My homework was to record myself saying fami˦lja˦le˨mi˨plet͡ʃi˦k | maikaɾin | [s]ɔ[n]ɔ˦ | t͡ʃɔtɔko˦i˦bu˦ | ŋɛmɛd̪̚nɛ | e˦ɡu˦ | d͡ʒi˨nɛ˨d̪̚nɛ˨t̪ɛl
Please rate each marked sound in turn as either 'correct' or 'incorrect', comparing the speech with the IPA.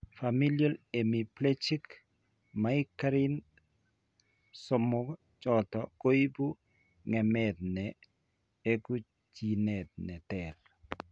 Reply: correct, incorrect: m

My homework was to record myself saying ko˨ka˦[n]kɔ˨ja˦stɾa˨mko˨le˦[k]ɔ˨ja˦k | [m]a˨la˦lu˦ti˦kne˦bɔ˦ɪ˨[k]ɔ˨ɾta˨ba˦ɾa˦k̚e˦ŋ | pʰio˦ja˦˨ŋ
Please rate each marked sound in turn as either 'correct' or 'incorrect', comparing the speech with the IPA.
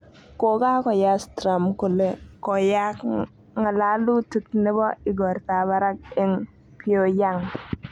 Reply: incorrect: none, correct, incorrect: ŋ, incorrect: ɡ

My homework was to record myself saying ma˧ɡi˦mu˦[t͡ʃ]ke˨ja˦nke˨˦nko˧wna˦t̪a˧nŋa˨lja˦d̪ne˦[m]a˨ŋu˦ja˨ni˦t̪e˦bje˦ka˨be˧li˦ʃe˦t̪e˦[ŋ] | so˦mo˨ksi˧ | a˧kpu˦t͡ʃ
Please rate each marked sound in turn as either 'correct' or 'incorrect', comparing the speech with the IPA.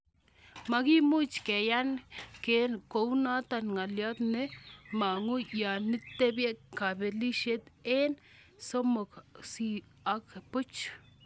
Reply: correct, correct, incorrect: n

